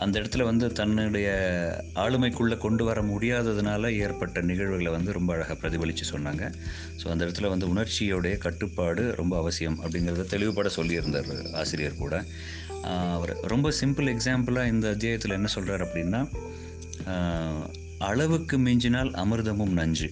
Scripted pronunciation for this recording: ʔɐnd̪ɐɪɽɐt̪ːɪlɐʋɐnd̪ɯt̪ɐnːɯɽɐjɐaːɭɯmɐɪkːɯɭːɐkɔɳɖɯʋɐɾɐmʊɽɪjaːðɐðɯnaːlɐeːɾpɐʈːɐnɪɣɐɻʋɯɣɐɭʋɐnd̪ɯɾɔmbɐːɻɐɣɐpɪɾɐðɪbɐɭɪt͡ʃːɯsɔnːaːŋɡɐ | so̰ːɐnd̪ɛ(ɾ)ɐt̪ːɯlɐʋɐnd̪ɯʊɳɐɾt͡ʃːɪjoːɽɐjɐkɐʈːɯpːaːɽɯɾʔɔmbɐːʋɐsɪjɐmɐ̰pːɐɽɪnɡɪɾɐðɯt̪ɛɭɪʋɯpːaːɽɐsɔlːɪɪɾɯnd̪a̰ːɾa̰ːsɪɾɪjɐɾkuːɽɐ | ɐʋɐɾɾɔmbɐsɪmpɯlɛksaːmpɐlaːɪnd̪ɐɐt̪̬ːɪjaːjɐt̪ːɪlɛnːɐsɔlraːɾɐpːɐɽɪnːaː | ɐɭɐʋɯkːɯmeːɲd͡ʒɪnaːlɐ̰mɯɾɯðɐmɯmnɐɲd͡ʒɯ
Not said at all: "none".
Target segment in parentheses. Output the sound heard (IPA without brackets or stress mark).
ɽ